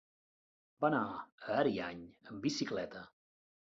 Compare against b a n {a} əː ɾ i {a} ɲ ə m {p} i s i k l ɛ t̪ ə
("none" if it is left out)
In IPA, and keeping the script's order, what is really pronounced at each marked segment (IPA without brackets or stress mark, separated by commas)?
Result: a, a, b